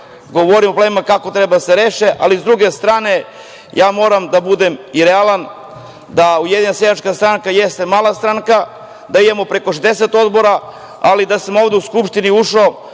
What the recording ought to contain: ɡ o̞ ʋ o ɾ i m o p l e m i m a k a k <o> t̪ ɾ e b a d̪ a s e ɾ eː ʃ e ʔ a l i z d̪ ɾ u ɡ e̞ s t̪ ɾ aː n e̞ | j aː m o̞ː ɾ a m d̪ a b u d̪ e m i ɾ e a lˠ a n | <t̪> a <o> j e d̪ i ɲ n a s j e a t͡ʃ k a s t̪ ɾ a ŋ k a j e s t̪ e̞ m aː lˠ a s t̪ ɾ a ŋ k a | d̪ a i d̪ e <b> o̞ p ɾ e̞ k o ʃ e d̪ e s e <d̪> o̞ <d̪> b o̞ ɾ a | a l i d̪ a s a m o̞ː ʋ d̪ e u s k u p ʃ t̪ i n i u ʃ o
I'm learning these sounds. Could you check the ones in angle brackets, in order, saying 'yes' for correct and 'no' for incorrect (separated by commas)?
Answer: yes, no, no, no, no, yes